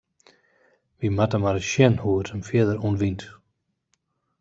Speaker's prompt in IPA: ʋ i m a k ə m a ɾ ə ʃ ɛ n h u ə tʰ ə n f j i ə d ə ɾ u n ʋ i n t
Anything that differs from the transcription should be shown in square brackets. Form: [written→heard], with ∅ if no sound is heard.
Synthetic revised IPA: ʋ i m a [k→t] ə m a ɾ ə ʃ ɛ n h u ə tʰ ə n f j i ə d ə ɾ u n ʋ i n t